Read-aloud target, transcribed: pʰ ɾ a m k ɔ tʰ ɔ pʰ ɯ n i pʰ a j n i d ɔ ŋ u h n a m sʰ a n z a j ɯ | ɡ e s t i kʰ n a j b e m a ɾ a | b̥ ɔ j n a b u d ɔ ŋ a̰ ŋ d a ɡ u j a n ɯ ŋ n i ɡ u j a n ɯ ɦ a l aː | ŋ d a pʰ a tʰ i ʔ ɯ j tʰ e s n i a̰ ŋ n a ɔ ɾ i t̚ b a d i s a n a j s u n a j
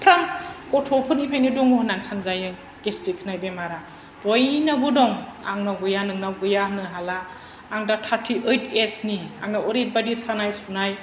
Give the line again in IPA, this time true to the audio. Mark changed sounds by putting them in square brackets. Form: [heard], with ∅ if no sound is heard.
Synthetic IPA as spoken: pʰ ɾ a m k ɔ tʰ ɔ pʰ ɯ n i pʰ a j n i d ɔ ŋ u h n a [n] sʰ a n z a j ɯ | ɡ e s t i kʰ n a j b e m a ɾ a | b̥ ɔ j n a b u d ɔ ŋ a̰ ŋ [n] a ɡ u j a n ɯ ŋ n [a] ɡ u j a n ɯ ɦ a l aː | ŋ d a [tʰ] a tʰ i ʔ ɯ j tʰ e s n i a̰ ŋ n a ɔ ɾ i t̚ b a d i s a n a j s u n a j